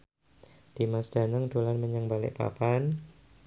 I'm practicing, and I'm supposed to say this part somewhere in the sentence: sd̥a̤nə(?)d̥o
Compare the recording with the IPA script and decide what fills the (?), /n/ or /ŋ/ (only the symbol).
ŋ